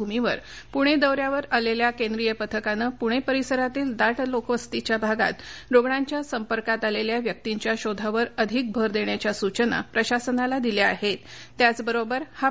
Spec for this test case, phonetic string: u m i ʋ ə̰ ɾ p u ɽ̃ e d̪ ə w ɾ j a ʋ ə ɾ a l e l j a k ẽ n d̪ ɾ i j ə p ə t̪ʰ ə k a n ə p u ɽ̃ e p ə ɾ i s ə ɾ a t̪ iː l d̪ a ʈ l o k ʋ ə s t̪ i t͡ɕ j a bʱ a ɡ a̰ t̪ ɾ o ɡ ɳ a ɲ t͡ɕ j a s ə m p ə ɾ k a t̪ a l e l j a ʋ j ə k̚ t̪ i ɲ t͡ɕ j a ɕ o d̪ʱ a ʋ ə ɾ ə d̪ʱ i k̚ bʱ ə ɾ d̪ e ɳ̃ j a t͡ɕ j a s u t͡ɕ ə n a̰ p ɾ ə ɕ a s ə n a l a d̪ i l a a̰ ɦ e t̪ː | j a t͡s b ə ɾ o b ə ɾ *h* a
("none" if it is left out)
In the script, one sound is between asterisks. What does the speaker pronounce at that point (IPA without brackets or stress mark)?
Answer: h